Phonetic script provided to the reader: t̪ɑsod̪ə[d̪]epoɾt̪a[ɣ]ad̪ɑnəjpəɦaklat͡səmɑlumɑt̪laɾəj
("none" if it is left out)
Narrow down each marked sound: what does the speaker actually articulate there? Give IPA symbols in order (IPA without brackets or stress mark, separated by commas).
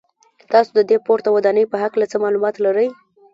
d̪, w